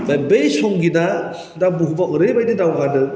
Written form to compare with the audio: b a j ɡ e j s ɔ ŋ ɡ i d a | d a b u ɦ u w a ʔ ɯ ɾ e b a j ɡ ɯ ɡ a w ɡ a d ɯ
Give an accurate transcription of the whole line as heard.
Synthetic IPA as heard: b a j b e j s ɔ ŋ ɡ i d a | d a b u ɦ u b a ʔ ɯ ɾ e b a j d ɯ d a w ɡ a d ɯ